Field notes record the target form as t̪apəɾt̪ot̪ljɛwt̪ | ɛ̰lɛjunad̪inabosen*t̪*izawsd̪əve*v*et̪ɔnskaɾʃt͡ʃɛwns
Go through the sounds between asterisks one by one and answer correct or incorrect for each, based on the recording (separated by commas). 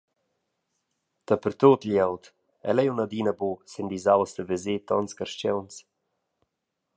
incorrect, incorrect